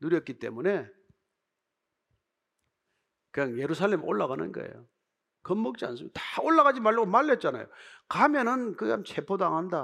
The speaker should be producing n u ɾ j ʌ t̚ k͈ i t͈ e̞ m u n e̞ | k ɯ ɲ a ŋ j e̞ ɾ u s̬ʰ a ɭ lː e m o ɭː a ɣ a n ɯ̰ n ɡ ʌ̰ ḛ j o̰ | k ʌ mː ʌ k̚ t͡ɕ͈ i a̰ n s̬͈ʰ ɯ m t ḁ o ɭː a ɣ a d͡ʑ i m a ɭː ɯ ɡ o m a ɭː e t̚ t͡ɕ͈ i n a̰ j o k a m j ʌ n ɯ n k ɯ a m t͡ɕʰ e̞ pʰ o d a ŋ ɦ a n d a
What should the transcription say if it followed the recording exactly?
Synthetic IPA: n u ɾ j ʌ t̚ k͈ i t͈ e̞ m u n e̞ | k ɯ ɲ a ŋ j e̞ ɾ u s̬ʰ a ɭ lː e m o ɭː a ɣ a n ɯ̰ n ɡ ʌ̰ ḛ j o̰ | k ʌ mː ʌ k̚ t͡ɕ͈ i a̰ n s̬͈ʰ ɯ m t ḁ o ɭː a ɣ a d͡ʑ i m a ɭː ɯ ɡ o m a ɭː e t̚ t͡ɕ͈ a n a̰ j o k a m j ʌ n ɯ n k ɯ a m t͡ɕʰ e̞ pʰ o d a ŋ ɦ a n d a